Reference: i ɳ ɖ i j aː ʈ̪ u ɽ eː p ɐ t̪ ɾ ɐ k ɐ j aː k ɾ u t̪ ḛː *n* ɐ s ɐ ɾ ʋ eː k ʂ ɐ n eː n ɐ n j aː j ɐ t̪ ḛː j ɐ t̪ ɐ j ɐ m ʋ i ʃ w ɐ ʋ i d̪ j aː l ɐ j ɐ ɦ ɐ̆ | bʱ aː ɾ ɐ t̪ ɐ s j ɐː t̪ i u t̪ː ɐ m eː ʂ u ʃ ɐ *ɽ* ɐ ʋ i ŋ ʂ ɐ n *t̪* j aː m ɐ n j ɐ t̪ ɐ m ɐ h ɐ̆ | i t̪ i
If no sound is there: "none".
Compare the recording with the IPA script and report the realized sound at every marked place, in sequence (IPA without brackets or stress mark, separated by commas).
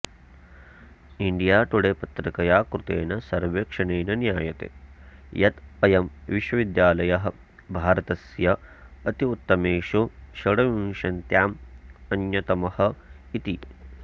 n, ɽ, t̪